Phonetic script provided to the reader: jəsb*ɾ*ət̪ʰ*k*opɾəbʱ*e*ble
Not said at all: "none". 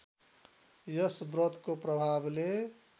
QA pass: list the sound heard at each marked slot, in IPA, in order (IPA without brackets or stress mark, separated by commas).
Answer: ɾ, k, a